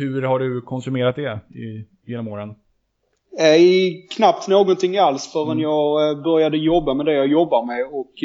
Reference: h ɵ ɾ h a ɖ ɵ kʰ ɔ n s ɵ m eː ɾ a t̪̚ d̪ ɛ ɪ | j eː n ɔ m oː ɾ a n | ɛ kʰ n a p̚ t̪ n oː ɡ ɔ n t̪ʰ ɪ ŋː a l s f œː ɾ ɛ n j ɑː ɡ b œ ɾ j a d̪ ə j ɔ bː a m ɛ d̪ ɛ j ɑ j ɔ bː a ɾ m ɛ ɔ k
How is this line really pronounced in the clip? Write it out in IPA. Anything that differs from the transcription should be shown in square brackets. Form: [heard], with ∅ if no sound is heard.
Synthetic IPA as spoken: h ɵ ɾ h a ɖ ɵ kʰ ɔ n s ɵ m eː ɾ a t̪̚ d̪ ɛ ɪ | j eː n ɔ m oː ɾ [ə] n | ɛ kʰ n a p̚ t̪ n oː ɡ ɔ n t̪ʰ ɪ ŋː a l s f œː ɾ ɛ n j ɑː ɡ b œ ɾ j a d̪ ə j ɔ bː a m ɛ d̪ ɛ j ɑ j ɔ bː a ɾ m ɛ ɔ k